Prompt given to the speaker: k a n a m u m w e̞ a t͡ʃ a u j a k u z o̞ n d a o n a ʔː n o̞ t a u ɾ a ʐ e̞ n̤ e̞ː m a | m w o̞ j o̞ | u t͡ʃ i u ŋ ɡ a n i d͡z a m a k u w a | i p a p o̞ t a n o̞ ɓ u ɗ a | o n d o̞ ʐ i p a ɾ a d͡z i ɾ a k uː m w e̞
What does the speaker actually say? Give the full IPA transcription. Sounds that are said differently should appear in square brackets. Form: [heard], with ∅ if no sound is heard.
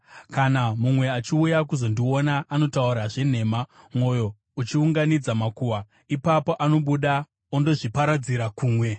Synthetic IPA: k a n a m u m w e̞ a t͡ʃ [i] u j a k u z o̞ n d [i] o n a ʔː n o̞ t a u ɾ a ʐ e̞ n̤ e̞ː m a | m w o̞ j o̞ | u t͡ʃ i u ŋ ɡ a n i d͡z a m a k u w a | i p a p o̞ [ʔ] a n o̞ ɓ u ɗ a | o n d o̞ ʐ i p a ɾ a d͡z i ɾ a k uː m w e̞